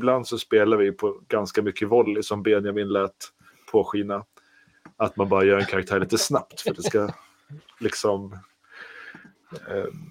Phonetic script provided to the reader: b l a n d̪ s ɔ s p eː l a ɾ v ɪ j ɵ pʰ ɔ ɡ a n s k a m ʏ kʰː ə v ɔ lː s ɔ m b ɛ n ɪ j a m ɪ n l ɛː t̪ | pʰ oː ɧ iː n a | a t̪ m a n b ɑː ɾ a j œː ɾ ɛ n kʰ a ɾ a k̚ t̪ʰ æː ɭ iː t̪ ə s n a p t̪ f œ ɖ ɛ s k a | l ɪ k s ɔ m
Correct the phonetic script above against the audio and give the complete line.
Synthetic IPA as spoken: b l a n d̪ s ɔ s p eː l a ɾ v ɪ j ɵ pʰ ɔ ɡ a n s k a m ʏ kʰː ə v ɔ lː s ɔ m b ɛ n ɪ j a m ɪ n l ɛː t̪ | pʰ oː ɧ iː n a | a t̪ m a n b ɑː ɾ a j œː ɾ ɛ n kʰ a ɾ a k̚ t̪ʰ æː ɭ iː t̪ ə s n a p t̪ f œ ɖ ɛ s k a | l ɪ k s ɔ m